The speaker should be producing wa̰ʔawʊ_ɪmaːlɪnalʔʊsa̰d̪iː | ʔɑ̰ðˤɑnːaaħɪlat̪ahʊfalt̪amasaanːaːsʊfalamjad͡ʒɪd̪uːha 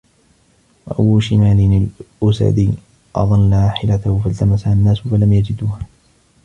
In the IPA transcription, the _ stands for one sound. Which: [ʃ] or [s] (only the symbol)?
ʃ